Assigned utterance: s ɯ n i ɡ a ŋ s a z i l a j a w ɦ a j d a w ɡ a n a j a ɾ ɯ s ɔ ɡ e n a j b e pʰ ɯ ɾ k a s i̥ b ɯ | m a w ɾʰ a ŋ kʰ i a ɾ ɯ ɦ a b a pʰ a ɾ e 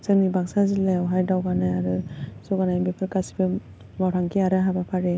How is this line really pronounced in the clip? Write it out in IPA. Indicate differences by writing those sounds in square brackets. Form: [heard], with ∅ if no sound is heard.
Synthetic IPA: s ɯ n i [b] a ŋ s a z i l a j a w ɦ a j d a w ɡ a n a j a ɾ ɯ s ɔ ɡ [a] n a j b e pʰ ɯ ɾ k a s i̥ b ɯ | m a w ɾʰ a ŋ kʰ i a ɾ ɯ ɦ a b a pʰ a ɾ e